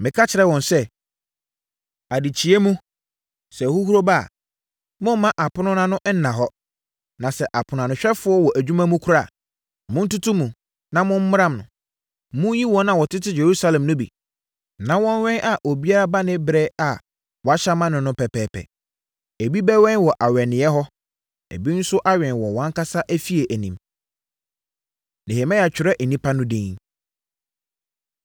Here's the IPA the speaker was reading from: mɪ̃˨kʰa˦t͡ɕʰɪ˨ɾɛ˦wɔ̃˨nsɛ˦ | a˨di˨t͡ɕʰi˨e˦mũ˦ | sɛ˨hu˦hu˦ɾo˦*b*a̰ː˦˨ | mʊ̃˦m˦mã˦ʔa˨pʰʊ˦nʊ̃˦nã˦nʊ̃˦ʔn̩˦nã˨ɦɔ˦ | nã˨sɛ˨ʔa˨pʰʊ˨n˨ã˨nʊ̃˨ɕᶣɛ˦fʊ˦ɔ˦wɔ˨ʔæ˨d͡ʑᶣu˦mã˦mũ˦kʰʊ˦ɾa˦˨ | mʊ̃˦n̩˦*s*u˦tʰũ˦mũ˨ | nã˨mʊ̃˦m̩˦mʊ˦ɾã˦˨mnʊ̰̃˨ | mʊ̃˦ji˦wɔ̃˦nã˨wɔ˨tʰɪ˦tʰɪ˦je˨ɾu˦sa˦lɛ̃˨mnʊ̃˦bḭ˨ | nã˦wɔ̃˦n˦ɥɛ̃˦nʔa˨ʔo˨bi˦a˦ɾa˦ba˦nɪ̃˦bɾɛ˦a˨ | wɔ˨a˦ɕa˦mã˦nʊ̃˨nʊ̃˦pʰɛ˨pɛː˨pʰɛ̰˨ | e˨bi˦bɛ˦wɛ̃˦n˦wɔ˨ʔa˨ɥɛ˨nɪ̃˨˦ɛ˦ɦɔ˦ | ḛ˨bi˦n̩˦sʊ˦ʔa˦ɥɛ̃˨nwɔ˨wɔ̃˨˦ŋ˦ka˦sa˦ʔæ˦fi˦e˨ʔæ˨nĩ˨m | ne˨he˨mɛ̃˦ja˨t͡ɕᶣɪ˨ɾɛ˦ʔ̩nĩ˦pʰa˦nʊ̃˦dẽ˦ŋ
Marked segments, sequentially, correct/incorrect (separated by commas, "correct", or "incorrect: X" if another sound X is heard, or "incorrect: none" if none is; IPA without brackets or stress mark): correct, incorrect: t